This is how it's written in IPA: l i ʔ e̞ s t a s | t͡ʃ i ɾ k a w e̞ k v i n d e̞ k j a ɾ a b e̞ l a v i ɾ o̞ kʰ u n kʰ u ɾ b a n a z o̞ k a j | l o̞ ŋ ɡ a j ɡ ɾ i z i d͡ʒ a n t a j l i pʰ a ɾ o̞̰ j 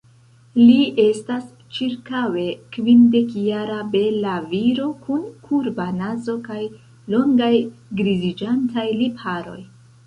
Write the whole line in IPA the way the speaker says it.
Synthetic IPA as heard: l i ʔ e̞ s t a s | t͡ʃ i ɾ k a w e̞ k v i n d e̞ k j a ɾ a b e̞ l a v i ɾ o̞ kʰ u n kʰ u ɾ b a n a z o̞ k a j | l o̞ ŋ ɡ a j ɡ ɾ i z i d͡ʒ a n t a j l i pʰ a ɾ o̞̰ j